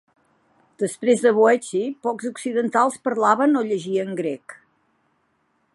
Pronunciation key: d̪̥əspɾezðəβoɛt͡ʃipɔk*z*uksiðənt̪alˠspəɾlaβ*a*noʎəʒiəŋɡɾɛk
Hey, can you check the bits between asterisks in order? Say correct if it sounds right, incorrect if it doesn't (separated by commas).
correct, incorrect